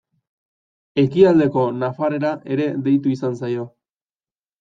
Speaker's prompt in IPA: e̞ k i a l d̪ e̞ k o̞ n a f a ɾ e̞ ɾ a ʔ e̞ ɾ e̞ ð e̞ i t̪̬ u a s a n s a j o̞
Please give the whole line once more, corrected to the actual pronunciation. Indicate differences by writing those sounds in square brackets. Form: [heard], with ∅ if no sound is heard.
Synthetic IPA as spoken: e̞ k i a l d̪ e̞ k o̞ n a f a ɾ e̞ ɾ a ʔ e̞ ɾ e̞ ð e̞ [j] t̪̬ u [i] s a n s a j o̞